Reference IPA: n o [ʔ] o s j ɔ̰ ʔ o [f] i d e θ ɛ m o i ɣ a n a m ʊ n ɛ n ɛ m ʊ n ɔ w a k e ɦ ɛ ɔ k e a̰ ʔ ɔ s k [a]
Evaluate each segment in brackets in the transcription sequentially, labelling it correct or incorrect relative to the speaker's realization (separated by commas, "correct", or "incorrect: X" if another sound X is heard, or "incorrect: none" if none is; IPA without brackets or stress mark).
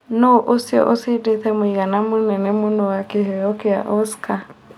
correct, incorrect: s, correct